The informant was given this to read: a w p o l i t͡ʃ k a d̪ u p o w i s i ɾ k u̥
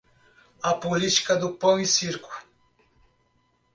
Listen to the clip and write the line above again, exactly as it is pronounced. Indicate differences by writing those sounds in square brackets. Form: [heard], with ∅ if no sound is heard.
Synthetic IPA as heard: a [∅] p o l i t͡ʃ k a d̪ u p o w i s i ɾ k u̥